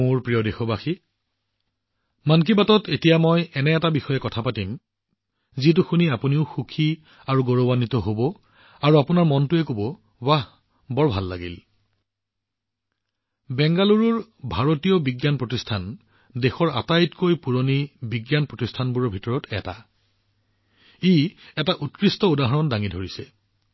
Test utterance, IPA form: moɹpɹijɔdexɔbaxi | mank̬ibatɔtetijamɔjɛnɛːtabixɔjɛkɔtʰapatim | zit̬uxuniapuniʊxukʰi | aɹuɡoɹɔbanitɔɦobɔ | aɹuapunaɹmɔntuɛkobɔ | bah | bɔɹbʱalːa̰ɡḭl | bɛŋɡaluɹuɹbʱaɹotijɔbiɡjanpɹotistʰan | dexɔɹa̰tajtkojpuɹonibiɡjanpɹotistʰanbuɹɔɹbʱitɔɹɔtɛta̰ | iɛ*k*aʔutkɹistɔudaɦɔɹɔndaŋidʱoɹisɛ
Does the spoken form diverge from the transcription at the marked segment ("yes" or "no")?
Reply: yes